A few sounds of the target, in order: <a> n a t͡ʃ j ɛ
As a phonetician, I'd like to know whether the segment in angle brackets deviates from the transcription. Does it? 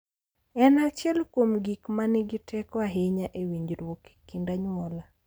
yes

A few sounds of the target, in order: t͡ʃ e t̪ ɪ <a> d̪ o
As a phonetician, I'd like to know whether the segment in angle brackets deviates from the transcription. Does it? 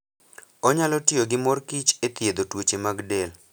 yes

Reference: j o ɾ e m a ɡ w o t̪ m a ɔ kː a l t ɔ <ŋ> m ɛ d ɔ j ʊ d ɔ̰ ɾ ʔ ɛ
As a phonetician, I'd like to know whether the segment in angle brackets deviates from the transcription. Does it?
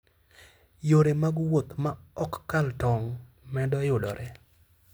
no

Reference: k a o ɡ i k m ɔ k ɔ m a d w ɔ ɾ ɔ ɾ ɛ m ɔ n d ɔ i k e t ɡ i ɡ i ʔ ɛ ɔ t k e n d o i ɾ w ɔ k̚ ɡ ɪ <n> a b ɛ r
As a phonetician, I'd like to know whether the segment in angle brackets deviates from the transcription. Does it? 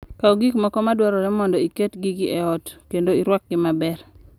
yes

